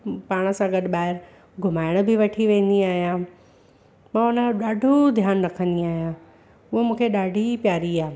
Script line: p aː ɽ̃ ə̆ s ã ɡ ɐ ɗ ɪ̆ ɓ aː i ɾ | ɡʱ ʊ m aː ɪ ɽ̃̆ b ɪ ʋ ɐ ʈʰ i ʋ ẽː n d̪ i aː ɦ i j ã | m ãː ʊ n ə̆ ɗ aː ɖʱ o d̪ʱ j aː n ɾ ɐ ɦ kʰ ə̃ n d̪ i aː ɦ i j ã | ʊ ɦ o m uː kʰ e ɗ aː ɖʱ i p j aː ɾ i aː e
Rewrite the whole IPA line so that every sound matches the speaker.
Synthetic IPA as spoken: p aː ɽ̃ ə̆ s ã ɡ ɐ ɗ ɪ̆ ɓ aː ɪ ɾ | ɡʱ ʊ m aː ɪ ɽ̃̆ b ɪ ʋ ɐ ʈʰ i ʋ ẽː n d̪ i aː ɦ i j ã | m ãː ʊ n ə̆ ɗ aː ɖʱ o d̪ʱ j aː n ɾ ɐ kʰ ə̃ n d̪ i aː ɦ i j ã | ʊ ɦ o m ũː kʰ e ɗ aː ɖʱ i p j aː ɾ i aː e